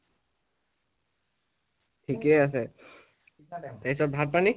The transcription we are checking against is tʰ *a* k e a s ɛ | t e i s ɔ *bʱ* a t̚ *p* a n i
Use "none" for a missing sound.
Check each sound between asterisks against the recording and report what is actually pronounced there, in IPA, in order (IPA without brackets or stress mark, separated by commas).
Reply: i, bʱ, p